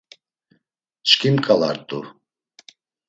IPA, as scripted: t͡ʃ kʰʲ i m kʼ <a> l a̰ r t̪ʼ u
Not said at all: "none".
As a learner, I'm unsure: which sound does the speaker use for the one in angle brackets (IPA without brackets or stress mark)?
a